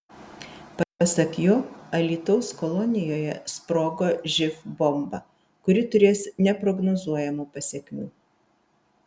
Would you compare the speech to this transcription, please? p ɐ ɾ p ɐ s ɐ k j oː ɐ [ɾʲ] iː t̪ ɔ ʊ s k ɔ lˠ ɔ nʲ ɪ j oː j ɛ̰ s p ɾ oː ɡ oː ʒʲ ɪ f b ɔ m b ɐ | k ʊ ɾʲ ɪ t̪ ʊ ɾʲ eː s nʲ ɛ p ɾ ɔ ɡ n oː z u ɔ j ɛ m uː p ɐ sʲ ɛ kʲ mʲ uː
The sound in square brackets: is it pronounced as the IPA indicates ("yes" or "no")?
no